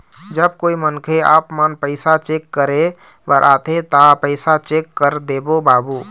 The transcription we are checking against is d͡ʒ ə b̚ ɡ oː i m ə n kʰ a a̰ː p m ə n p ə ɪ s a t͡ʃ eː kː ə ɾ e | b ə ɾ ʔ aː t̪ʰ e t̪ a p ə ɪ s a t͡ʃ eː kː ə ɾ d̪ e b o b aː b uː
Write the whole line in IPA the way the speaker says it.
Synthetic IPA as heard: d͡ʒ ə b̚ k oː i m ə n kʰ e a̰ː p m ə n p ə ɪ s a t͡ʃ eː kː ə ɾ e | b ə ɾ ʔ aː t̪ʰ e t̪ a p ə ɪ s a t͡ʃ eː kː ə ɾ d̪ e b o b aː b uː